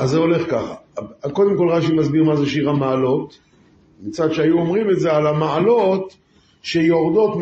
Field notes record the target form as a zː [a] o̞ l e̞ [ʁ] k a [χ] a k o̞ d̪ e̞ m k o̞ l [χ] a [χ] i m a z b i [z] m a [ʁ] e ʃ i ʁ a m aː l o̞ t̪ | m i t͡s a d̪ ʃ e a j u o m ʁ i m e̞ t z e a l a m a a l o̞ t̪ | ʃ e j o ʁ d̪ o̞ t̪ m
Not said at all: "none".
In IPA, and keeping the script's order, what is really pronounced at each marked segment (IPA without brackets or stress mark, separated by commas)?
e, χ, χ, ʁ, ʃ, ʁ, z